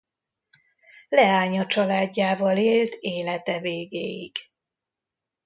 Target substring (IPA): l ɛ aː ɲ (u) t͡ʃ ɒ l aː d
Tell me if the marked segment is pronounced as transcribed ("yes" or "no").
no